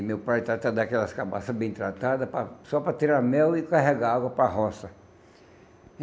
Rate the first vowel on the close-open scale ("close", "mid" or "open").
mid